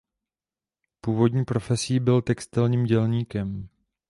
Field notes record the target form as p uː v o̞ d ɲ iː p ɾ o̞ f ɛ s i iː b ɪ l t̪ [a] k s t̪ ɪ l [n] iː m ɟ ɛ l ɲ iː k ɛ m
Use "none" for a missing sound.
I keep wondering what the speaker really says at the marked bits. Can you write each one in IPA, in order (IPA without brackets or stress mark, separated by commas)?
ɛ, ɲ